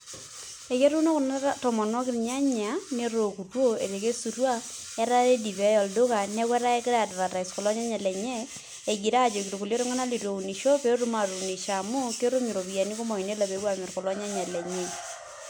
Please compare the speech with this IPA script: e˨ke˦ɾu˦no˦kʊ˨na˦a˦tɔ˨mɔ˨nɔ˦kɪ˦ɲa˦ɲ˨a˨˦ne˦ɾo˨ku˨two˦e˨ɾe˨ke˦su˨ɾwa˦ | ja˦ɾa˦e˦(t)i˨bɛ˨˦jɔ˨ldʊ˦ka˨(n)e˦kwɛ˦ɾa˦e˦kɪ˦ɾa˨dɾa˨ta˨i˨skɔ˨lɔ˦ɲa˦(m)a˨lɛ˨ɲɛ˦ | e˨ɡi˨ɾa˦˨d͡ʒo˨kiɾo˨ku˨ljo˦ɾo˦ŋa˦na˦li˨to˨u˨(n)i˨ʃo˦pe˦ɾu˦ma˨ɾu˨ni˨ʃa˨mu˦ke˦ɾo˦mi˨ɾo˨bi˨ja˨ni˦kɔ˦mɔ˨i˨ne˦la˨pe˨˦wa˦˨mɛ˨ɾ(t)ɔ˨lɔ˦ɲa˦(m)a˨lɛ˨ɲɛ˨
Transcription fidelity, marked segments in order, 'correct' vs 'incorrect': incorrect, correct, incorrect, correct, incorrect, incorrect

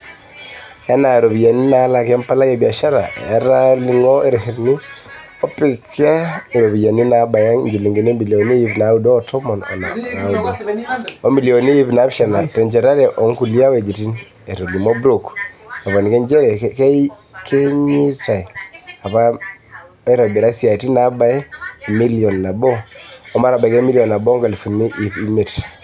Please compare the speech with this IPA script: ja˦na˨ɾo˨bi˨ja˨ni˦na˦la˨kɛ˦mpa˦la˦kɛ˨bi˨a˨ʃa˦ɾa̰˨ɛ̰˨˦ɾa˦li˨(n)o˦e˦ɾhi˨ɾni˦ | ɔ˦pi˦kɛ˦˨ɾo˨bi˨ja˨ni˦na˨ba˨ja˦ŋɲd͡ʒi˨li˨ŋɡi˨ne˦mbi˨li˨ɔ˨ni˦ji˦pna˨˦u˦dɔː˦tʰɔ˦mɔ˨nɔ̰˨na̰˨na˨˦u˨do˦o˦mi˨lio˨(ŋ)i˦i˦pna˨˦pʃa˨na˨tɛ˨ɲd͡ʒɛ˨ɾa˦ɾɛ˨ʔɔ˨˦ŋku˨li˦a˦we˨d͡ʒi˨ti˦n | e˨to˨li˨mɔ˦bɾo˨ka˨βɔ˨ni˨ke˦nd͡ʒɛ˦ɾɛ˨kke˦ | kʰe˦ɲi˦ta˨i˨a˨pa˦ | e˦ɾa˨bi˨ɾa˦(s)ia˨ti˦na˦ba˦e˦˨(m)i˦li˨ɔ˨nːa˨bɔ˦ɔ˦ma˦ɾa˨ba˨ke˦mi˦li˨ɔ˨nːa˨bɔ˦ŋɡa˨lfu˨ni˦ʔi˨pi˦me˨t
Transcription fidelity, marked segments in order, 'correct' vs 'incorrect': incorrect, incorrect, correct, correct

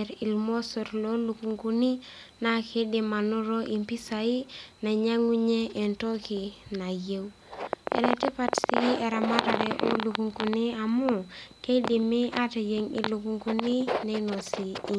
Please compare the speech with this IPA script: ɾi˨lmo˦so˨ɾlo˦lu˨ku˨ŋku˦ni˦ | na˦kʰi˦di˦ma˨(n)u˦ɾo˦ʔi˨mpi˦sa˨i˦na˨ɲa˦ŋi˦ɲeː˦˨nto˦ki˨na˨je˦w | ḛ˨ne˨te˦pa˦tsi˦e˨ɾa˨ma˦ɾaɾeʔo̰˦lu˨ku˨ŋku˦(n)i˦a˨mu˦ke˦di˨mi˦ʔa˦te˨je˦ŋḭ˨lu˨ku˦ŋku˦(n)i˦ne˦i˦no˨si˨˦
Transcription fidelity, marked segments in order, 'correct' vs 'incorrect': correct, correct, correct

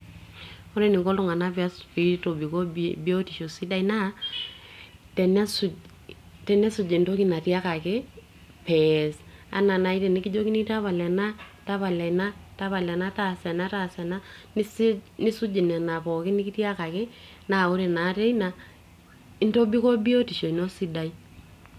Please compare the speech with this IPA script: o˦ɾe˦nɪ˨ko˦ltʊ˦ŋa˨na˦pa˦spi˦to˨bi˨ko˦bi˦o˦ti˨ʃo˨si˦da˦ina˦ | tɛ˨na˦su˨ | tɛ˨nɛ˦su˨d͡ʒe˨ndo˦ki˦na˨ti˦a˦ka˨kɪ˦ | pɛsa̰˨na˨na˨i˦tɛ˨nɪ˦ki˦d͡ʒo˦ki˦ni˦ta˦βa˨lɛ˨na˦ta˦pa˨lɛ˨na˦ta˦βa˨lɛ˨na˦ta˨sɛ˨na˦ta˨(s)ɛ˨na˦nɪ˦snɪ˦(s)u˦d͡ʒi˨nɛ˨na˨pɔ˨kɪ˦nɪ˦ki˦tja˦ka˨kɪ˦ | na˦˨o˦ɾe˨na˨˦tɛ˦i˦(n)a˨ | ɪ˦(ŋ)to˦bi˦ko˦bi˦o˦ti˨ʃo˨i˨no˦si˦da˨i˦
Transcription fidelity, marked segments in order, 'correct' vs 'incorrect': correct, correct, correct, incorrect

